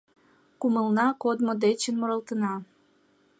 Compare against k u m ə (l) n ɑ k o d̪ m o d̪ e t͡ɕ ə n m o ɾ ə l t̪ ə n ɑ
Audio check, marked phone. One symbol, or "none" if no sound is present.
l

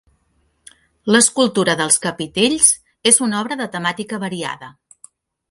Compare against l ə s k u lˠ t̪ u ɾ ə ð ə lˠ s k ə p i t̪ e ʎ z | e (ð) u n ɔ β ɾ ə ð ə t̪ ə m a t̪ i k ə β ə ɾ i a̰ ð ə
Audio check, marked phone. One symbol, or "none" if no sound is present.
z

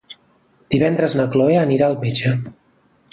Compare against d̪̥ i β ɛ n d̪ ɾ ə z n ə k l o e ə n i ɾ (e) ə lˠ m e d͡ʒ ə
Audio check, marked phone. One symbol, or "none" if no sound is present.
a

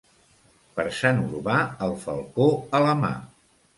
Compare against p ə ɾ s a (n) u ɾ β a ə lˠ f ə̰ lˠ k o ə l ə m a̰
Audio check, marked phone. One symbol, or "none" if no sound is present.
n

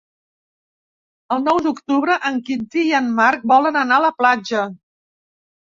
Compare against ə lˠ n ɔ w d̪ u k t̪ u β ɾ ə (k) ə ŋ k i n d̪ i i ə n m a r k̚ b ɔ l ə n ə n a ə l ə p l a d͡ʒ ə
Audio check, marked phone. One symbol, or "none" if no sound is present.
ʔ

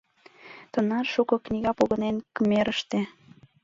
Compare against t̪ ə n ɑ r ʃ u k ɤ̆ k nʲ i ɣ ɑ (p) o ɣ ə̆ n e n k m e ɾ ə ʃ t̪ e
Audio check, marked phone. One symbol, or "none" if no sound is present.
p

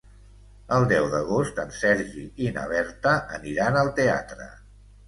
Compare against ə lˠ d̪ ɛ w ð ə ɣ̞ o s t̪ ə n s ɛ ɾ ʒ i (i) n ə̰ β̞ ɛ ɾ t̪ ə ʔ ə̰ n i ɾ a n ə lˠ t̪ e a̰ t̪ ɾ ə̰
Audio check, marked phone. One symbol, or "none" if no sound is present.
i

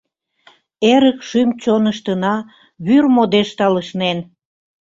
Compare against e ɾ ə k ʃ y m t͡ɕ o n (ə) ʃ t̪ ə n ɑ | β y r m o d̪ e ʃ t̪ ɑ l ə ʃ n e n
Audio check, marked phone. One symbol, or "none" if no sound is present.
ə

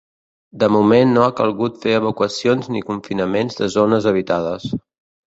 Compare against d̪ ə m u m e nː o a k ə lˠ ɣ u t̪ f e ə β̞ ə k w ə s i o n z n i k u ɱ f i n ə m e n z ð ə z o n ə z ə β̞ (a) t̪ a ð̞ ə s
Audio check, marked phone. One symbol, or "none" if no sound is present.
i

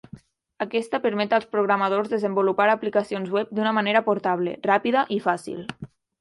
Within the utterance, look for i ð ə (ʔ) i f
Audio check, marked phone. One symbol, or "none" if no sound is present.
ʔ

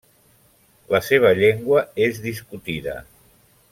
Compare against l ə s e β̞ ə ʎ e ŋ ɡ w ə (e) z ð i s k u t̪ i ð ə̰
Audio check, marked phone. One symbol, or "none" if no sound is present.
e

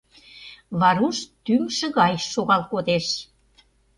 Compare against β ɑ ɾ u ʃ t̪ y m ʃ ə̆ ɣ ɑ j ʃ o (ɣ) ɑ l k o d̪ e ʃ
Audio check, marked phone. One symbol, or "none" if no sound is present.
ɣ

